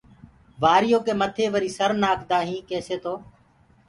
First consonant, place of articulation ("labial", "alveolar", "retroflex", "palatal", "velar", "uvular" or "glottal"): labial